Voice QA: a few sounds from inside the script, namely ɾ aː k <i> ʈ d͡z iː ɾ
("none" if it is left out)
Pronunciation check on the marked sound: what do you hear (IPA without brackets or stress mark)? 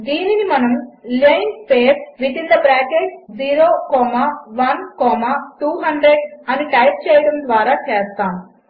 e